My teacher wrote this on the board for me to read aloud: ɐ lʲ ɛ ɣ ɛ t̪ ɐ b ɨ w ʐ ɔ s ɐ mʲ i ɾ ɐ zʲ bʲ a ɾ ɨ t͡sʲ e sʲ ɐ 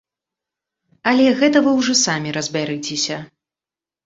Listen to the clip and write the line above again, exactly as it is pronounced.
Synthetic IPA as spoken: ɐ lʲ ɛ ɣ ɛ t̪ ɐ v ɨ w ʐ ɔ s a mʲ i ɾ ɐ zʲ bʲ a ɾ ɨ t͡sʲ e sʲ ɐ